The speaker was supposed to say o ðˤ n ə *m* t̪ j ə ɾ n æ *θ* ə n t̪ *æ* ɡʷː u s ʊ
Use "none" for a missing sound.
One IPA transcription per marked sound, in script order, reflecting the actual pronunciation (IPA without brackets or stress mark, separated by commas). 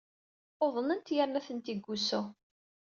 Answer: n, θ, i